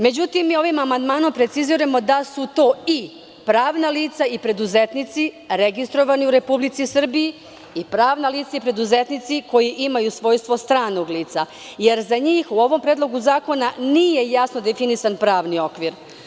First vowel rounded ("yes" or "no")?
no